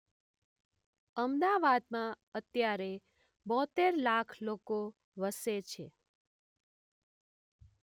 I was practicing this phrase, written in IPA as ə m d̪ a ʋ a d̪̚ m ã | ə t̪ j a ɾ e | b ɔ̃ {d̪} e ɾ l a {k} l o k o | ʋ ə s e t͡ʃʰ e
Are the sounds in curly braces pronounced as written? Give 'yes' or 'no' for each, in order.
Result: no, no

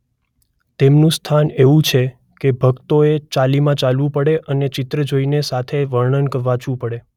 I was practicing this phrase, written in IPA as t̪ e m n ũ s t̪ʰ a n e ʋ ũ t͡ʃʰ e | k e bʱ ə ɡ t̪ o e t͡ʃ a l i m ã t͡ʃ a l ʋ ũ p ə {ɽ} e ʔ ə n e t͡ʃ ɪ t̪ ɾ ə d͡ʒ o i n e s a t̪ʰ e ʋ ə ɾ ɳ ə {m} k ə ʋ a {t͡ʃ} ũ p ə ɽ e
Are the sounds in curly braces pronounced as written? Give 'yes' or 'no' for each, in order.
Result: yes, no, yes

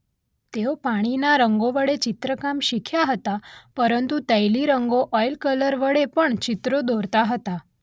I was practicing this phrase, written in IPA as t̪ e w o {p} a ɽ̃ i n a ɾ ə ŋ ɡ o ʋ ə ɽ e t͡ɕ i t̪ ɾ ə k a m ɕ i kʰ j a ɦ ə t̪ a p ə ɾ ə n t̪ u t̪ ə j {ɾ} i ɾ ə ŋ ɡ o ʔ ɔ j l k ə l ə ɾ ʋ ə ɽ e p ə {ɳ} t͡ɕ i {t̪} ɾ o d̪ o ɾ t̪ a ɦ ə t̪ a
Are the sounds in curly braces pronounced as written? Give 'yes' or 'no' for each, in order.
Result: yes, no, yes, yes

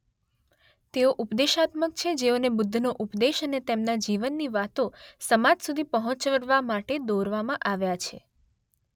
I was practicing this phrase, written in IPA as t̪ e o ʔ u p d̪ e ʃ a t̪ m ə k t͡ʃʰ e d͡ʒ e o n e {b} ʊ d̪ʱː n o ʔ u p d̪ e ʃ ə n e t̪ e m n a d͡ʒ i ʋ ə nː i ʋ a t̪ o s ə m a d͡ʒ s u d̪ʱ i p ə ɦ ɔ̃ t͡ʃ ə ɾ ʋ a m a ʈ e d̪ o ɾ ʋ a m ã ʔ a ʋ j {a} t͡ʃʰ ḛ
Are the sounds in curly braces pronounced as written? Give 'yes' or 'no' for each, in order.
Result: yes, yes

